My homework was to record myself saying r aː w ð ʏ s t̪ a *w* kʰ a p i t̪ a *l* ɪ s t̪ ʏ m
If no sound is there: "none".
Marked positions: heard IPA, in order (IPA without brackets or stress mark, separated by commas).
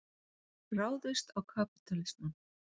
w, l